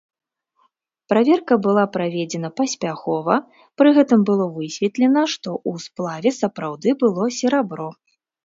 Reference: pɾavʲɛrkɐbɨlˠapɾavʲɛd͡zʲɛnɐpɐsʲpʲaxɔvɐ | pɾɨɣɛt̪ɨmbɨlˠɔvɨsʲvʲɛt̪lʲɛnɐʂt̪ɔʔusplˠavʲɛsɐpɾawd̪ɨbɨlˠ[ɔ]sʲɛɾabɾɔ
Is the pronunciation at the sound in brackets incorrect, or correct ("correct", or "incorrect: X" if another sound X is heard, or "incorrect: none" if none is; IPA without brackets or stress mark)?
correct